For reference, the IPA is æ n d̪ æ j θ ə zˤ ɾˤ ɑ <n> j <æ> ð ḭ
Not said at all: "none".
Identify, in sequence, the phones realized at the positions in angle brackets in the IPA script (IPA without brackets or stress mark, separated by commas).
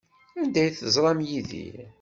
m, i